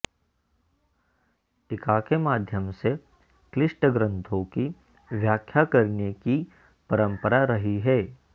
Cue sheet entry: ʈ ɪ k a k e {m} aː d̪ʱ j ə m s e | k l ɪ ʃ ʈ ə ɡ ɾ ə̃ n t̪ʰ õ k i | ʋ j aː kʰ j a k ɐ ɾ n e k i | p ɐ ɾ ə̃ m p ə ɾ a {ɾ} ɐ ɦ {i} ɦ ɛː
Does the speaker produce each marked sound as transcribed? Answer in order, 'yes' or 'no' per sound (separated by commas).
yes, yes, yes